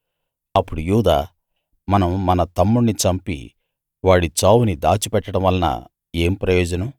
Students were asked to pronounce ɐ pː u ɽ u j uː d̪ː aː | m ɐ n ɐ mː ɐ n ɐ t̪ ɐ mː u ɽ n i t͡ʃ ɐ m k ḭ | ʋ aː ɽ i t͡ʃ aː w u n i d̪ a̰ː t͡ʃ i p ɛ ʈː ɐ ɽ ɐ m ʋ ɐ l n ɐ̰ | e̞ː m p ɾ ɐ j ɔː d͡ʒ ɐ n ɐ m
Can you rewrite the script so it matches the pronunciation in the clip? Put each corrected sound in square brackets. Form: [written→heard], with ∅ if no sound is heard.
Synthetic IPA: ɐ pː u ɽ u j uː [d̪ː→d̪] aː | m ɐ n ɐ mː ɐ n ɐ t̪ ɐ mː u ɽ n i t͡ʃ ɐ m [k→p] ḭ | ʋ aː ɽ i t͡ʃ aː w u n i d̪ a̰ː t͡ʃ i p ɛ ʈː ɐ ɽ ɐ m ʋ ɐ l n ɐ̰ | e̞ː m p ɾ ɐ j ɔː d͡ʒ ɐ n ɐ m